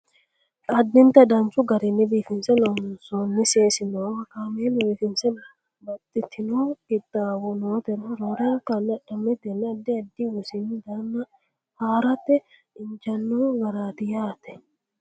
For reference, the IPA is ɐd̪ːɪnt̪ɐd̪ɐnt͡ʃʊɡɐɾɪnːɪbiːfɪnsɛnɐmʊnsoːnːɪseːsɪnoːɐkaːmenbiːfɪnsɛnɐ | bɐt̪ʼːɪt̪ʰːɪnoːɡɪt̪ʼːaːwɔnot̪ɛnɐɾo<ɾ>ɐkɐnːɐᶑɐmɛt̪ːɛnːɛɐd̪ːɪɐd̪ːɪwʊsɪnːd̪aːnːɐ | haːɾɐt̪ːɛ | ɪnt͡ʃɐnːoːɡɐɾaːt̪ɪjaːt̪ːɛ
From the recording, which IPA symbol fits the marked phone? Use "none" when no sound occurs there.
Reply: ɾ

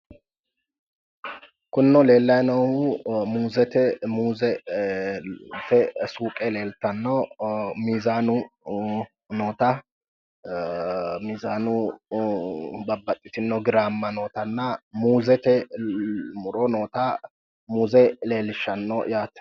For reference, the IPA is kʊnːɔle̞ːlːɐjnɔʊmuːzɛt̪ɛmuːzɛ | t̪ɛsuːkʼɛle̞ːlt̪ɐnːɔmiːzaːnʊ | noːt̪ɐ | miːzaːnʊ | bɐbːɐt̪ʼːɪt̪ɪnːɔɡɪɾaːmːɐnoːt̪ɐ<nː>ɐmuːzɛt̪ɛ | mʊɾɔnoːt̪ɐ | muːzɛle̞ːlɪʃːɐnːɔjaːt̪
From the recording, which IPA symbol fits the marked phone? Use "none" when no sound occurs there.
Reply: nː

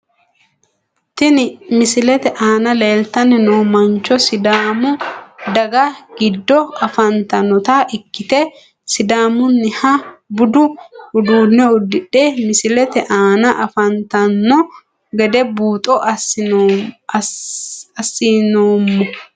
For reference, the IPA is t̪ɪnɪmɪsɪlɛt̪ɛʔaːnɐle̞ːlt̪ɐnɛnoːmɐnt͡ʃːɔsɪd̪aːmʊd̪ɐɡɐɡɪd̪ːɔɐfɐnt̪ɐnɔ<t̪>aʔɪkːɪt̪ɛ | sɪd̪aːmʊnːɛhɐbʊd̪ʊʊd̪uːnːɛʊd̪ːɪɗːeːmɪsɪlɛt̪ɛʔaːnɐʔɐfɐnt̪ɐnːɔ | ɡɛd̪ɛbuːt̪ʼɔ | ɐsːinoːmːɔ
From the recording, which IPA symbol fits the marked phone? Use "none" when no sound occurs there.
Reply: t̪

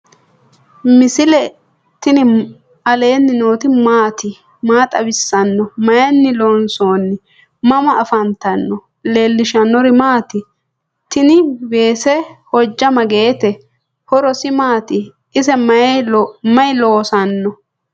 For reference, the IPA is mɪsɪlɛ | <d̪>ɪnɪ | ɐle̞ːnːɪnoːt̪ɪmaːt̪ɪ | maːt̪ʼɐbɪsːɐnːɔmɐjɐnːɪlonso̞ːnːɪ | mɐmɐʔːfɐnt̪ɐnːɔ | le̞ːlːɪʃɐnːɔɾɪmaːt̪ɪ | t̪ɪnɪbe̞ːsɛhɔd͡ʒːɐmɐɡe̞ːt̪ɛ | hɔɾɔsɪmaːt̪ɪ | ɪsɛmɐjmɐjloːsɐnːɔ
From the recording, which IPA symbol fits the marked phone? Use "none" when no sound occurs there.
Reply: t̪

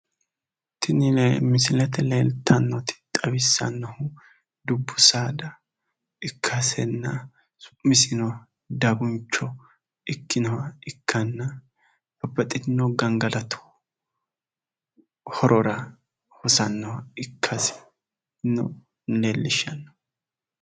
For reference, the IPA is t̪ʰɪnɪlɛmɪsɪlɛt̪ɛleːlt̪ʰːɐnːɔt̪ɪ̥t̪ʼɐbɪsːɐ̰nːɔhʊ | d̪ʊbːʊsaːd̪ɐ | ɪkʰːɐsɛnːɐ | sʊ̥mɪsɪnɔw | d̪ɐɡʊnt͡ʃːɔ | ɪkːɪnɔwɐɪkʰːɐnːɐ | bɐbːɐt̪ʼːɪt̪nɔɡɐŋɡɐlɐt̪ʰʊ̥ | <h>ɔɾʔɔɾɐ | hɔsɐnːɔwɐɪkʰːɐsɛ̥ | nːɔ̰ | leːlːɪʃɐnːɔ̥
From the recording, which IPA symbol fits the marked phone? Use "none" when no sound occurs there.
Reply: h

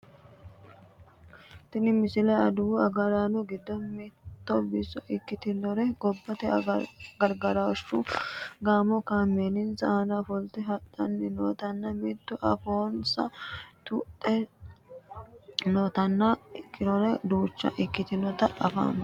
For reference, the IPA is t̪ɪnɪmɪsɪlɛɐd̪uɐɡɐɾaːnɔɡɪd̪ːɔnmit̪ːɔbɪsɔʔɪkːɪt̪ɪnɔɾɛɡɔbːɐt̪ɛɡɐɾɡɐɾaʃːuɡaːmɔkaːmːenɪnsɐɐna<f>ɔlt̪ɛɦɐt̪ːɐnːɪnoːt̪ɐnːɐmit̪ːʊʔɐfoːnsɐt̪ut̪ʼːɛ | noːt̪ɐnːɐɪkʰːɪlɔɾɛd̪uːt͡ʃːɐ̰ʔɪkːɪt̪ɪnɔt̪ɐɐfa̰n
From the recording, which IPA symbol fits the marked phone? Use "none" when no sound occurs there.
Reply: f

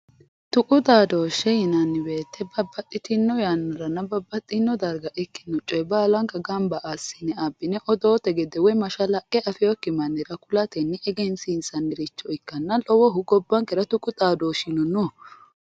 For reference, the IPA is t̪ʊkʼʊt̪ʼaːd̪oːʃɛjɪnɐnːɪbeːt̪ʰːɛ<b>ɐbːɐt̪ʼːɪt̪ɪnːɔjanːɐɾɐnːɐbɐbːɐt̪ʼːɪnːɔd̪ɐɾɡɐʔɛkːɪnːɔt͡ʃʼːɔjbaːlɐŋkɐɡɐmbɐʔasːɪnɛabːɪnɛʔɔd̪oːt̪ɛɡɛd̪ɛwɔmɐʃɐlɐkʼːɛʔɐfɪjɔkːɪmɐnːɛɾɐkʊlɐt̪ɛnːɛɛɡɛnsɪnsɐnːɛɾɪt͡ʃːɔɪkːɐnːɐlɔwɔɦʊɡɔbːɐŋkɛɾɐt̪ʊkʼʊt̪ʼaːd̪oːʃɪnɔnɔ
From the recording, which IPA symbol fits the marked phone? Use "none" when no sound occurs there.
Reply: b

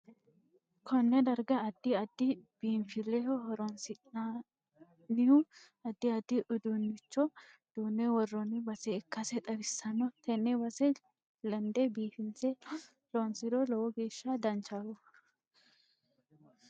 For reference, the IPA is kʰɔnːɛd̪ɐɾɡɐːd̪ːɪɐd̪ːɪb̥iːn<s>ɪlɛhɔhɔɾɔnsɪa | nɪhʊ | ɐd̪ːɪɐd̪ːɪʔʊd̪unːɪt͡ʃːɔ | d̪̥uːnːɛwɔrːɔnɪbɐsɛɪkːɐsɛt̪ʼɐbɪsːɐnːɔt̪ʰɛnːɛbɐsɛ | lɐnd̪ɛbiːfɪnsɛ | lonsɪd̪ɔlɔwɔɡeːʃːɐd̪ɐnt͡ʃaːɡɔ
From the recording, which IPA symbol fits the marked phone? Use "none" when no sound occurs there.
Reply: f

